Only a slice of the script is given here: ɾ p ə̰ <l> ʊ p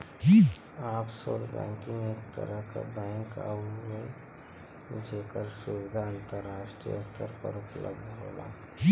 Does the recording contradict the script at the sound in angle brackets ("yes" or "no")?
yes